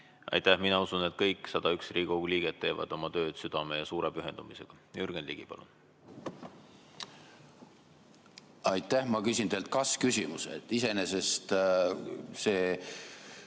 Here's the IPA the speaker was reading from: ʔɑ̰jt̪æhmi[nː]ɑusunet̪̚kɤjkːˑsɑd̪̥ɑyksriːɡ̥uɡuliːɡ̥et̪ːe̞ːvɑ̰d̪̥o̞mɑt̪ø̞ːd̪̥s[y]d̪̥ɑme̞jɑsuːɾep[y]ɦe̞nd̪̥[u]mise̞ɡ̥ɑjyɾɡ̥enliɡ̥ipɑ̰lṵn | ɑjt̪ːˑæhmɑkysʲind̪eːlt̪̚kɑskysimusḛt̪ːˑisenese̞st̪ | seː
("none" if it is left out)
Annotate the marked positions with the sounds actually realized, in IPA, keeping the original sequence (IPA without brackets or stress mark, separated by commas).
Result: n, y, y, u